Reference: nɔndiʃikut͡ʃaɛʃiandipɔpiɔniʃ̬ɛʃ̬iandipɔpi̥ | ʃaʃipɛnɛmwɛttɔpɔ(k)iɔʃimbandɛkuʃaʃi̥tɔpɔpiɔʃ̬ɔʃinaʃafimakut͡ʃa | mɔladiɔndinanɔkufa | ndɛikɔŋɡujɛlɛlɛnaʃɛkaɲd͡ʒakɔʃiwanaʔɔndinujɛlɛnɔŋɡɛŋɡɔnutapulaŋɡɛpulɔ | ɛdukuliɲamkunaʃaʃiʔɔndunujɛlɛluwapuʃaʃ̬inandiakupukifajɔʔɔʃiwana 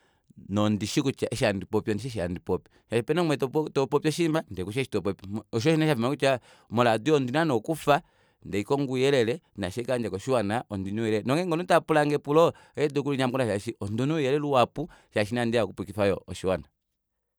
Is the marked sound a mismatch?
yes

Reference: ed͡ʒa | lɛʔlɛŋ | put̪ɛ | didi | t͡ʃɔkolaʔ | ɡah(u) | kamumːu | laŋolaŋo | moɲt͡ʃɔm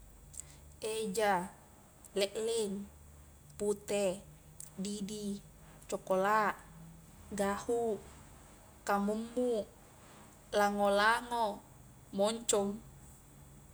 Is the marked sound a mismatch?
no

